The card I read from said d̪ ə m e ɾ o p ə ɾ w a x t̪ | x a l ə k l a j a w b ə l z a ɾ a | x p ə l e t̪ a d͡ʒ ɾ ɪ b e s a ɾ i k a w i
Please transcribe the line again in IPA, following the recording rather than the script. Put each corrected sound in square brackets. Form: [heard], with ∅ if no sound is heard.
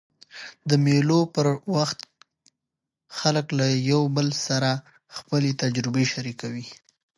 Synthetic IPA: d̪ ə m e [l] o p ə ɾ w a x t̪ | x a l ə k l a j a w b ə l [s] a ɾ a | x p ə l e t̪ a d͡ʒ ɾ ɪ b e [ʃ] a ɾ i k a w i